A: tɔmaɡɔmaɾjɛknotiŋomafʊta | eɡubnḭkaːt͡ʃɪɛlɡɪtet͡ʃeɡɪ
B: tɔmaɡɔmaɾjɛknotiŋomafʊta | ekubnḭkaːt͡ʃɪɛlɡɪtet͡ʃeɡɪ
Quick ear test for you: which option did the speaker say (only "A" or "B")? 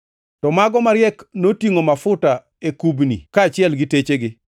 B